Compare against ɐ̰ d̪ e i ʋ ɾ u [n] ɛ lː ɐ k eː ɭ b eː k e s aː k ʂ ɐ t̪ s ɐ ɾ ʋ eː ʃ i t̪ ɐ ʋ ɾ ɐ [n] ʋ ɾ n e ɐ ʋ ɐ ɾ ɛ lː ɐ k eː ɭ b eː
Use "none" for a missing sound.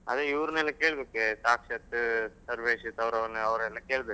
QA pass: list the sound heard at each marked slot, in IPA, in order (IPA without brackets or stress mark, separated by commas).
n, none